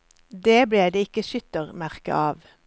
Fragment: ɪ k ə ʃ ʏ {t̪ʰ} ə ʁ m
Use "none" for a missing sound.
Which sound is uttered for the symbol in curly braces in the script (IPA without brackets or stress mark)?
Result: t̪